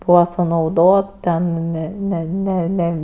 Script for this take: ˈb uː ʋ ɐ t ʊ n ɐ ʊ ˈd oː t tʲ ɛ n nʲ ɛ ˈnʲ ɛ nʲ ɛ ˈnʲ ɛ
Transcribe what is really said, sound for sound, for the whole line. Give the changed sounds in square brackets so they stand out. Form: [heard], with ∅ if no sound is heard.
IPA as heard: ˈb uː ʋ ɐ [s] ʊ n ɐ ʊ ˈd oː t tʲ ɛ n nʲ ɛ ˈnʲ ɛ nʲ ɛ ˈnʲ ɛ